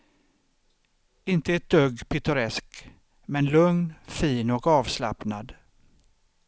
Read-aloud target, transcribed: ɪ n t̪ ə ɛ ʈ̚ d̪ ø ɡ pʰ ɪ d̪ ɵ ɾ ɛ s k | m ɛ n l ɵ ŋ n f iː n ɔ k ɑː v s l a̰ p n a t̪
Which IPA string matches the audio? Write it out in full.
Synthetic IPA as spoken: ɪ n t̪ ə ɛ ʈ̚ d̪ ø ɡ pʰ ɪ t̪ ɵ ɾ ɛ s k | m ɛ n l ɵ ŋ n f iː n ɔ k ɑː v s l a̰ p n a d̪